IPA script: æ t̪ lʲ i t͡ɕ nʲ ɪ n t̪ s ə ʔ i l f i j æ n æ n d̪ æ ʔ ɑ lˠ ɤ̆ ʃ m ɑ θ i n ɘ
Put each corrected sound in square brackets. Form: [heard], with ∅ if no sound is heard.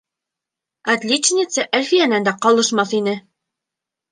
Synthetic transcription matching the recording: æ t̪ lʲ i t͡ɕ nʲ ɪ [∅] t̪ s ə ʔ [æ] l f i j æ n æ n d̪ æ [q] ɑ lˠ ɤ̆ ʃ m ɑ θ i n ɘ